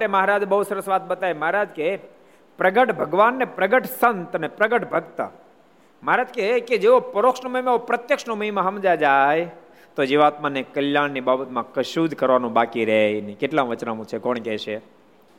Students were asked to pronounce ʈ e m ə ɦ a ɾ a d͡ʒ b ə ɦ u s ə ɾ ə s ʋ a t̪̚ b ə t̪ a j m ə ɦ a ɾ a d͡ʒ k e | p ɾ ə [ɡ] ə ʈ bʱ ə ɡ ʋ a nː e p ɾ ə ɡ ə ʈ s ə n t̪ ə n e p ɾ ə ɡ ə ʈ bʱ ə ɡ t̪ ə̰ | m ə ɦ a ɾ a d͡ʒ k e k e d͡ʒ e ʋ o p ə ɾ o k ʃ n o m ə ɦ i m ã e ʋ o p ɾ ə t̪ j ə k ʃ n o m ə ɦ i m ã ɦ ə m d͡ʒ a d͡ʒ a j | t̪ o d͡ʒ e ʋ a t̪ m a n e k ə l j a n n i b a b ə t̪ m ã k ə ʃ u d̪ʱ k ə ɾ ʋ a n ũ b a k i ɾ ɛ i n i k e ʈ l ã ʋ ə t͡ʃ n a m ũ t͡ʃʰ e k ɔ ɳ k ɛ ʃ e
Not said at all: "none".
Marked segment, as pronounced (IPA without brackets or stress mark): ɡ